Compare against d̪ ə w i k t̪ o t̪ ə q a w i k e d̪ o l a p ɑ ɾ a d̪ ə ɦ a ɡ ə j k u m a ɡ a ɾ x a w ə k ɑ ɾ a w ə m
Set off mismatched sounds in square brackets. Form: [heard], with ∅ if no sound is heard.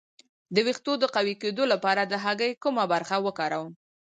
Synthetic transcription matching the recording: d̪ ə w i [x] t̪ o [d̪] ə q a w i k e d̪ o l a p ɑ ɾ a d̪ ə ɦ a ɡ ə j k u m a [b] a ɾ x a w ə k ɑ ɾ a w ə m